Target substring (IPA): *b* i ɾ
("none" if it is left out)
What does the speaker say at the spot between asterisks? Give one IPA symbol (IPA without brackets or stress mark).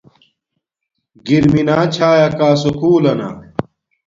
ɡ